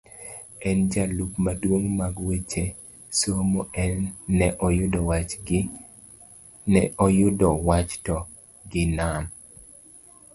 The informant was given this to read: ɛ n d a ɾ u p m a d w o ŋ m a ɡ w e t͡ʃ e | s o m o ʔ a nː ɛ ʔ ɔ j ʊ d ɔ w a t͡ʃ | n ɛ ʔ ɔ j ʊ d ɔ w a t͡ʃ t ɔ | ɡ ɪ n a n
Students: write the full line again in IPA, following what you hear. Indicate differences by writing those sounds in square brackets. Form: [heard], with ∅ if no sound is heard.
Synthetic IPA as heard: ɛ n [d͡ʒ] a [l] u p m a d w o ŋ m a ɡ w e t͡ʃ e | s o m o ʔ [ɛ] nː ɛ ʔ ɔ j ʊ d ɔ w a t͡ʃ | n ɛ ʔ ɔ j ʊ d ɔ w a t͡ʃ t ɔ | ɡ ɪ n a n